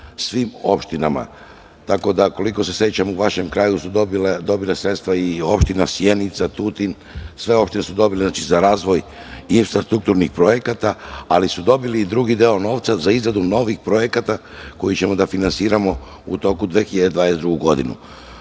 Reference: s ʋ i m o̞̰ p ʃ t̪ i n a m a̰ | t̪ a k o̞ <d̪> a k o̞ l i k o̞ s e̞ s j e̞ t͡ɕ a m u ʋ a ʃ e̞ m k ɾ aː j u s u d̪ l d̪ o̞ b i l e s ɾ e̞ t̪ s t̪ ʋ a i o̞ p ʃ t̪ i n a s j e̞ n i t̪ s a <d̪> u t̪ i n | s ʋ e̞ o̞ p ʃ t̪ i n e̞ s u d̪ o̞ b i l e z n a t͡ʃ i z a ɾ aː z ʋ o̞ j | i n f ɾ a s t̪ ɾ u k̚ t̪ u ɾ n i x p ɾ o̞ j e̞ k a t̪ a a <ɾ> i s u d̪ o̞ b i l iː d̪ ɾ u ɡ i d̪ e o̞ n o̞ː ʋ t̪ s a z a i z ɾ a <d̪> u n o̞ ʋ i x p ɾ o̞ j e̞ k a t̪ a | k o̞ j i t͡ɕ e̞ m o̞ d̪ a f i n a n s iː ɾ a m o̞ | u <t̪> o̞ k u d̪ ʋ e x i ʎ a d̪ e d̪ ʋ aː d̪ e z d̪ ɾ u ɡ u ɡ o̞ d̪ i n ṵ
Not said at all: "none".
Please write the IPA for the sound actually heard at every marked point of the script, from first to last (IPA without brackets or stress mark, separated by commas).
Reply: d̪, t̪, l, d̪, t̪